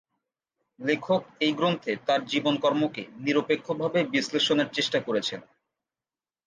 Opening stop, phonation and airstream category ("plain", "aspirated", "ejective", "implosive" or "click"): aspirated